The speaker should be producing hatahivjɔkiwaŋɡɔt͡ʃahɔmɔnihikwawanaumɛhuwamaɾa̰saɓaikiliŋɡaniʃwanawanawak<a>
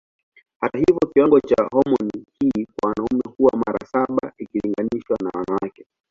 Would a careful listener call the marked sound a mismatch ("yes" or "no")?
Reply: yes